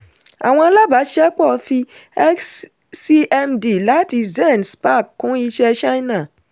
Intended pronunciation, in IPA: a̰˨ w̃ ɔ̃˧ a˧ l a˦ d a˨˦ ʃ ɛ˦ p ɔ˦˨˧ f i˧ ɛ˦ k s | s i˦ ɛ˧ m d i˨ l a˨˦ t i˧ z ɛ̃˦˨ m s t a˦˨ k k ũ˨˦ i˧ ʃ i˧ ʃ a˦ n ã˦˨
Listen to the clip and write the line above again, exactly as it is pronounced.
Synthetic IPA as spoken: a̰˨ w̃ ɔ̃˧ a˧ l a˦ b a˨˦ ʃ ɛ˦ k͡p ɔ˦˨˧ f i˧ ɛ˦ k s | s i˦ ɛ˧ m d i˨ l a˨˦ t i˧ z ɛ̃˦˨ n s p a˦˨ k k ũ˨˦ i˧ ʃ ɛ˧ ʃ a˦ n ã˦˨